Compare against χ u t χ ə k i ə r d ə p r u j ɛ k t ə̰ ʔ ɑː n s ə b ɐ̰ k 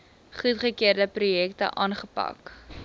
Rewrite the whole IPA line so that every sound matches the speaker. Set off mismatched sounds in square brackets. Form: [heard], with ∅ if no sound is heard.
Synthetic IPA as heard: χ u t χ ə k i ə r d ə p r u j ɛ k t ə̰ ʔ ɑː n [χ] ə [p] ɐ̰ k